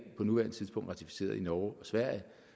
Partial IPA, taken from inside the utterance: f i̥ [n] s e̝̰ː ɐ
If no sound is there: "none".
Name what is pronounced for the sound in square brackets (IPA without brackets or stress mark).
none